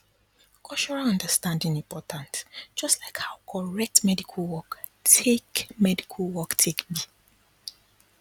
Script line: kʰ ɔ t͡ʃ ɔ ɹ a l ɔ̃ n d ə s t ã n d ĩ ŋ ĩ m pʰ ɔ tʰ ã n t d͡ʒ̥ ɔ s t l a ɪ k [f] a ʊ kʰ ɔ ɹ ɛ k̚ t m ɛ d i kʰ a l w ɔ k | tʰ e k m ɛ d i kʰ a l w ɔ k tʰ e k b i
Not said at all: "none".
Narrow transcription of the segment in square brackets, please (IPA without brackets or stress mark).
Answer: h